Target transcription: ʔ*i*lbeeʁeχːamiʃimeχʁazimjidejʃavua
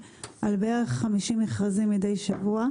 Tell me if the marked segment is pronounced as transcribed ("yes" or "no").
no